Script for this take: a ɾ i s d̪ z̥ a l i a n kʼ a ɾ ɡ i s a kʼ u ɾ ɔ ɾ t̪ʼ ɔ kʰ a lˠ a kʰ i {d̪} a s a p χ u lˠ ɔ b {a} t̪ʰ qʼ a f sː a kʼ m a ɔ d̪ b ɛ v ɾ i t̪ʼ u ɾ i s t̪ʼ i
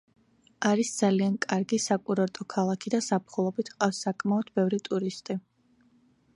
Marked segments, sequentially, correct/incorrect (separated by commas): correct, incorrect